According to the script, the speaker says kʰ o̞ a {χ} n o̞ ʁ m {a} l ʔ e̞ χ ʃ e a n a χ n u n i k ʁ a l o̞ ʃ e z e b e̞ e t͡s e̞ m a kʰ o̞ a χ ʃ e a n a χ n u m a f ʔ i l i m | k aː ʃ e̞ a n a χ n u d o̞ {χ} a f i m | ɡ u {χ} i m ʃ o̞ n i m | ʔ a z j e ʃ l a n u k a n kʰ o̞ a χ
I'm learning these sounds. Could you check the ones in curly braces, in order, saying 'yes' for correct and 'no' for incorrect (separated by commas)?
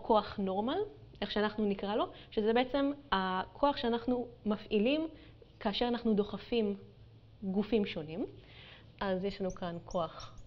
yes, yes, yes, no